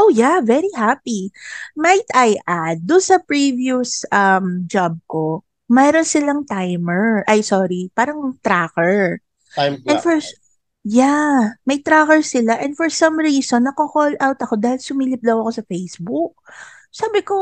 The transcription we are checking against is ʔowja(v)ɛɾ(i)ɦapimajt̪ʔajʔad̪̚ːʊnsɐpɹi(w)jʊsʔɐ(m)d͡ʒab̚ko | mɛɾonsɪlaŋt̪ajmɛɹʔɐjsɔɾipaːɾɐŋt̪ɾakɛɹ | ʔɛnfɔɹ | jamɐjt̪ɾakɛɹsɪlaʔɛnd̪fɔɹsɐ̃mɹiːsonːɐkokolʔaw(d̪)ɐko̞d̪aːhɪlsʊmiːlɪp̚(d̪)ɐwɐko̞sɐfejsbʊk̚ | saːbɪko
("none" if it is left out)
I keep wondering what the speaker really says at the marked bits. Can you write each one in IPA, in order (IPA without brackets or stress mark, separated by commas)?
v, i, v, m, t̪, d̪